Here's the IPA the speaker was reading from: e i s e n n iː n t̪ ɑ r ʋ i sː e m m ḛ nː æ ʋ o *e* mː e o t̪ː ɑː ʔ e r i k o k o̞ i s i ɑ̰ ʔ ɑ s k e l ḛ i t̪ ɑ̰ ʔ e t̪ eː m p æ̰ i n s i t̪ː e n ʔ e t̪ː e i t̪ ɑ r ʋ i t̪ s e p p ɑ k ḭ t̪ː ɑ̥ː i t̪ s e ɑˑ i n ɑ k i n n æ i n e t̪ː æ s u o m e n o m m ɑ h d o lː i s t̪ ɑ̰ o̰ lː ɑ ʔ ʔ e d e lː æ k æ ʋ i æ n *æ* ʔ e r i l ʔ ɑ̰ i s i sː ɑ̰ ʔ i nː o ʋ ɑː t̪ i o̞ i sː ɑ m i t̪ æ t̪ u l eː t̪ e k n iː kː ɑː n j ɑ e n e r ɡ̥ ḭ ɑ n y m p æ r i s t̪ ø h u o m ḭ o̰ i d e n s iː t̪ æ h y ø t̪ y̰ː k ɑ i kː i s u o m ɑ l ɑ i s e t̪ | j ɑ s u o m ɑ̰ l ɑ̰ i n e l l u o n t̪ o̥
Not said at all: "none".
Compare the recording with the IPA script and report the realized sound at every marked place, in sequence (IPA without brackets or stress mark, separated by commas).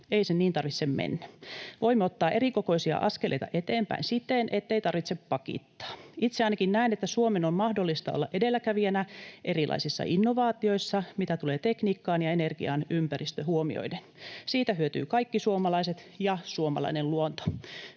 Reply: i, æ